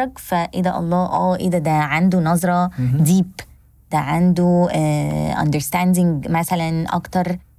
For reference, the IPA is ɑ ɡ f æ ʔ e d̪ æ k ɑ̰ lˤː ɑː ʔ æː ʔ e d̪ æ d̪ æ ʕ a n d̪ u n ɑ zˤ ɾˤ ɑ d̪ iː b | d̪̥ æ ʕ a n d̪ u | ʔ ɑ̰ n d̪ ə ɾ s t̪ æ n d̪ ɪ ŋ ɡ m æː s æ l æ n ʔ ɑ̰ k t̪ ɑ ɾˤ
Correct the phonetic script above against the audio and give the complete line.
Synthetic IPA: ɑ ɡ f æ ʔ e d̪ æ ʔ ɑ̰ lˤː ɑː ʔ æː ʔ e d̪ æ d̪ æ ʕ a n d̪ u n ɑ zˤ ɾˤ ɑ d̪ iː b | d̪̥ æ ʕ a n d̪ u | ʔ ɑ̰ n d̪ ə ɾ s t̪ æ n d̪ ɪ ŋ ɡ m æ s æ l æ n ʔ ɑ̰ k t̪ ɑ ɾˤ